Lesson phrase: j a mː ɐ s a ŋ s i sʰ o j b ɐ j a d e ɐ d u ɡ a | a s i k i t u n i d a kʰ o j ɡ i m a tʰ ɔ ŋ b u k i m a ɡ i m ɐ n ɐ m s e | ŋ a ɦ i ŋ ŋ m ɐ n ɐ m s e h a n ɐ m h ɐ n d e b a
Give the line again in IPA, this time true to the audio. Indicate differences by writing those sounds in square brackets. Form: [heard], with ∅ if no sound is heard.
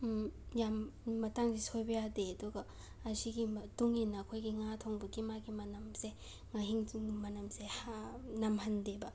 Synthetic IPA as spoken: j a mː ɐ [t] a ŋ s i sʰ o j b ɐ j a d e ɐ d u ɡ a | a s i [ɡ] i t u [ŋ] i [n] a kʰ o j ɡ i [ŋ] a tʰ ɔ ŋ b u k i m a ɡ i m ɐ n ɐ m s e | ŋ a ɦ i ŋ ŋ m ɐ n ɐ m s e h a n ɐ m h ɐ n d e b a